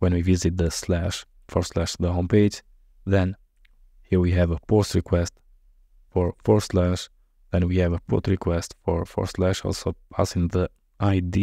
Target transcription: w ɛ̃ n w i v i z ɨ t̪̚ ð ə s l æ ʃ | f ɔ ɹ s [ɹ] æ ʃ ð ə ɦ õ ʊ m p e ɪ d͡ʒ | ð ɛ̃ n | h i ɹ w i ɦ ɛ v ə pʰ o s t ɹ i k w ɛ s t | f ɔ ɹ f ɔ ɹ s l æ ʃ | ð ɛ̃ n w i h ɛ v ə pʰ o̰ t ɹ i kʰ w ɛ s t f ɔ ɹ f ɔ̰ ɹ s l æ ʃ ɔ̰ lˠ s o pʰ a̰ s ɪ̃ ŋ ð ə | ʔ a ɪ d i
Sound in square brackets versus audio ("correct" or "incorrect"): incorrect